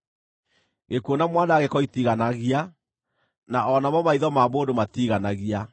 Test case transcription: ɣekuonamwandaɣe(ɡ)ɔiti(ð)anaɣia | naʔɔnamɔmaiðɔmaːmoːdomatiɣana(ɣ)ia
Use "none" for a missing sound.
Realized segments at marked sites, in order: k, ɣ, ɣ

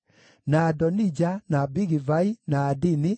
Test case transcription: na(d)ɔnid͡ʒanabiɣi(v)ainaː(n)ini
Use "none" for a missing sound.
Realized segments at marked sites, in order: d, v, d

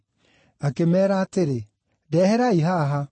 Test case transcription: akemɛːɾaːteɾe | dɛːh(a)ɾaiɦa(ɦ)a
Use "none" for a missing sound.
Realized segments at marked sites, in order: ɛ, ɦ

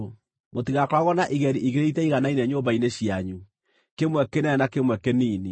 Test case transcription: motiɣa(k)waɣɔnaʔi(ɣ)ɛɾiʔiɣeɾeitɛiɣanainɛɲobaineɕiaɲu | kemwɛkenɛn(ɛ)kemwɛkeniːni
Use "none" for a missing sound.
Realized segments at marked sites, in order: k, ɣ, a

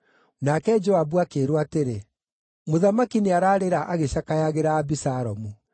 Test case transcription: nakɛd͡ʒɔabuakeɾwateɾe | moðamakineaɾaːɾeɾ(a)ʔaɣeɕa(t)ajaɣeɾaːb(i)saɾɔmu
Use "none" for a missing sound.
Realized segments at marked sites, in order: a, k, i

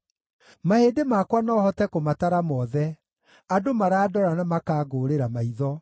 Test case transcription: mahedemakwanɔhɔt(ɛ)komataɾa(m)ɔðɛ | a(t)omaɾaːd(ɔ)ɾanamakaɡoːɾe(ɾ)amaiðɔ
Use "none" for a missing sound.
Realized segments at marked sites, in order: ɛ, m, d, ɔ, ɾ

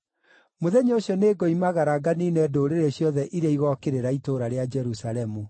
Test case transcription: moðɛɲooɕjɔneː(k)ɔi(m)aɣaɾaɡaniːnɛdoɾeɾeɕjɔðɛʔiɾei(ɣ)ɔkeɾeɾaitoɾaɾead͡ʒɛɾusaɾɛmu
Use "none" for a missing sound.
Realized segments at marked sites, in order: ɡ, m, ɣ

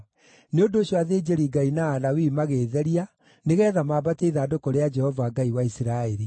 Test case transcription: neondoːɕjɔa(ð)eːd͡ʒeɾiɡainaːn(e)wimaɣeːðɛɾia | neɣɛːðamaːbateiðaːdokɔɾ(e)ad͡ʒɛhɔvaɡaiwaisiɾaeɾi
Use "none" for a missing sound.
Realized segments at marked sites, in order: ð, a, e

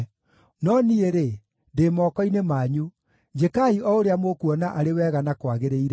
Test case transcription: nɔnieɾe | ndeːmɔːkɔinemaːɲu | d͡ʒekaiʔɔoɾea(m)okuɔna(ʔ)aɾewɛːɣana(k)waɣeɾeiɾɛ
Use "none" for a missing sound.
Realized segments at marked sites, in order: m, ʔ, k

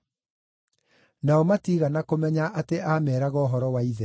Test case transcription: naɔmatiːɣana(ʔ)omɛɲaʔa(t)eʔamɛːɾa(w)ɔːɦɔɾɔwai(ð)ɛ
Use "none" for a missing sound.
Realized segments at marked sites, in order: k, t, ɣ, ð

